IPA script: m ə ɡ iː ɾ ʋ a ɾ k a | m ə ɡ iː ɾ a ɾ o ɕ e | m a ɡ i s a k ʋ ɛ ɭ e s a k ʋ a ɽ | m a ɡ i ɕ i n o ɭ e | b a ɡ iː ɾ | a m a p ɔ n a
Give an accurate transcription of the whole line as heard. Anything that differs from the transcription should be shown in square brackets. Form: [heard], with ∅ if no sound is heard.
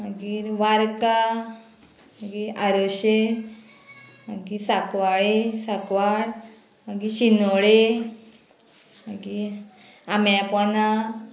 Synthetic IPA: m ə ɡ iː ɾ ʋ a ɾ k a | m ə ɡ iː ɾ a ɾ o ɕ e | m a ɡ i s a k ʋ [a] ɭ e s a k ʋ a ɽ | m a ɡ i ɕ i n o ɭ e | [m] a ɡ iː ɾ | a m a p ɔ n a